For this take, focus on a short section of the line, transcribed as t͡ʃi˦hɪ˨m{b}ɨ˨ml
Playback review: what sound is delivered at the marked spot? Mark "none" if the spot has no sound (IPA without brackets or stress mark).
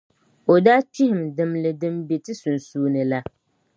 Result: d